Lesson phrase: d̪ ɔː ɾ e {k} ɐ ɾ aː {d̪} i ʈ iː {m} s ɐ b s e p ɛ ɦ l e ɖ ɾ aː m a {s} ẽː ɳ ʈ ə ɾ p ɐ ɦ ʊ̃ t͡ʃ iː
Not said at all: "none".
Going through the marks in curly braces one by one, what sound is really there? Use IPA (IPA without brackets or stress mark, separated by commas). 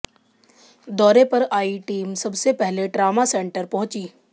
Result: p, none, m, s